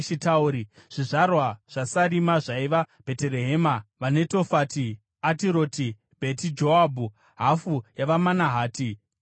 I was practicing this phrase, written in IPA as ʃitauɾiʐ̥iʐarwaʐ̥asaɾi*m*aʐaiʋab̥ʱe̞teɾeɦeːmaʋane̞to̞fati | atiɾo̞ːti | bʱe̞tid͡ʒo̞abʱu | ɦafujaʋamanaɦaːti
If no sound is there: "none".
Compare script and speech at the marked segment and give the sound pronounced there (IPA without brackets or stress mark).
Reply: m